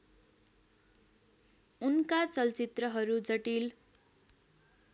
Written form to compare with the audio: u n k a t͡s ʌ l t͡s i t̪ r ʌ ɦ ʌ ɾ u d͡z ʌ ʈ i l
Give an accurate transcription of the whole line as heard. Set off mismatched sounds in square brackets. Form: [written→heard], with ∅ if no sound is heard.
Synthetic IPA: u n k a t͡s ʌ l t͡s i t̪ r ʌ ɦ ʌ ɾ u d͡z ʌ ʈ i l